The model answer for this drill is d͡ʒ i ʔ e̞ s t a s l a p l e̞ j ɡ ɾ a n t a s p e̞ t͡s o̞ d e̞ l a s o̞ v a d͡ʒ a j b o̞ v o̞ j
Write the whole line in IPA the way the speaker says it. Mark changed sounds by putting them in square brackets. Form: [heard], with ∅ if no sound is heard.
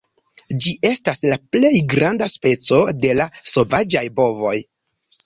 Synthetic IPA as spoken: d͡ʒ i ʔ e̞ s t a s l a p l e̞ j ɡ ɾ a n [d] a s p e̞ t͡s o̞ d e̞ l a s o̞ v a d͡ʒ a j b o̞ v o̞ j